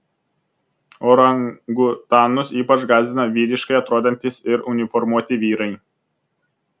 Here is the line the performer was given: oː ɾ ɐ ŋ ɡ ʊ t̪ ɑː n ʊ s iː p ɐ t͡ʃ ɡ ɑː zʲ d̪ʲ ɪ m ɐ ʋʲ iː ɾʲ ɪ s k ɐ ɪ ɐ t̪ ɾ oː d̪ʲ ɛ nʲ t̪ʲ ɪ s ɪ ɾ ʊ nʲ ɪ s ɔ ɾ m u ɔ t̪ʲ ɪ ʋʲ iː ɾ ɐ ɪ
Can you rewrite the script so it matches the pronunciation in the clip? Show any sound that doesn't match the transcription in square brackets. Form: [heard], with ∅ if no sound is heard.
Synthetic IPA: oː ɾ ɐ ŋ ɡ ʊ t̪ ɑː n ʊ s iː p ɐ t͡ʃ ɡ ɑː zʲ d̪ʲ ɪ [n] ɐ ʋʲ iː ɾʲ ɪ [ʃ] k ɐ ɪ ɐ t̪ ɾ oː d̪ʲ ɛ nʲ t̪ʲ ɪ s ɪ ɾ ʊ nʲ ɪ [f] ɔ ɾ m u ɔ t̪ʲ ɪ ʋʲ iː ɾ ɐ ɪ